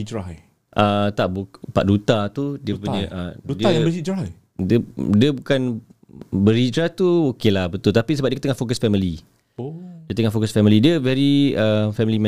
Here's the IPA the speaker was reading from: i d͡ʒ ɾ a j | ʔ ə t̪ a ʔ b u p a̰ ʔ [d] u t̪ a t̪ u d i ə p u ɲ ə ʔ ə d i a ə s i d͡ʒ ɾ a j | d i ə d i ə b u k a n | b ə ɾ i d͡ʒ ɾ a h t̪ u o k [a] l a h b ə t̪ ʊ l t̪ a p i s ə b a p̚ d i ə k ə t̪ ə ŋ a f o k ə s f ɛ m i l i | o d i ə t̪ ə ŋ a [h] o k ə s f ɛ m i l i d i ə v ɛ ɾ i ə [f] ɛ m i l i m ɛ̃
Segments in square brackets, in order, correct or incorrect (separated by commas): correct, incorrect, incorrect, correct